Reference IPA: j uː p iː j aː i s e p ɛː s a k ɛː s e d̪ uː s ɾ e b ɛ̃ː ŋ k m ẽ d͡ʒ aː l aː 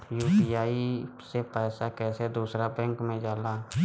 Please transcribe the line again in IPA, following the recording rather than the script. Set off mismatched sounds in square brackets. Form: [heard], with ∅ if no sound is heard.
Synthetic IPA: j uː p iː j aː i s e p ɛː s a k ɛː s e d̪ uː s ɾ [a] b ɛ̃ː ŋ k m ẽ d͡ʒ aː l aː